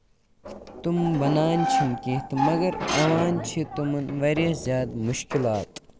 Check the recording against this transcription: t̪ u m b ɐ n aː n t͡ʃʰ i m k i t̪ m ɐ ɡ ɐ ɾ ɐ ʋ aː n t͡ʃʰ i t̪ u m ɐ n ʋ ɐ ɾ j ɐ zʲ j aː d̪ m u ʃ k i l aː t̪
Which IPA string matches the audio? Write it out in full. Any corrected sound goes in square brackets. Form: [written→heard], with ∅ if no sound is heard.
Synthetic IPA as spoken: t̪ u m b ɐ n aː n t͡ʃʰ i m k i t̪ m ɐ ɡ ɐ ɾ ɐ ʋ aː n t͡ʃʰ i t̪ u m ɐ n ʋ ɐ ɾ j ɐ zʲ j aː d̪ m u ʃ k i l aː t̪